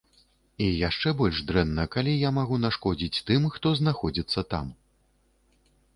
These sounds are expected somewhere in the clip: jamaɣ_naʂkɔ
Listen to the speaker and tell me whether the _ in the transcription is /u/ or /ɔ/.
u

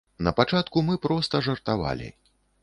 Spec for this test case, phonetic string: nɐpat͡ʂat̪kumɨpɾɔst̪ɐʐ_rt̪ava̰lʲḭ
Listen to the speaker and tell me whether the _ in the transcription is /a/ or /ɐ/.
ɐ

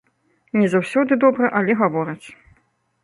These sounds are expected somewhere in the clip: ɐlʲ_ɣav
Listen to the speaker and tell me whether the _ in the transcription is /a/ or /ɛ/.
ɛ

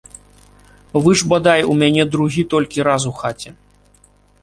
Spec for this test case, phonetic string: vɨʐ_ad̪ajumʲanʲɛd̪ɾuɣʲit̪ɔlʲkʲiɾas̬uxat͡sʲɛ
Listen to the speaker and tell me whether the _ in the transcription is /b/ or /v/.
b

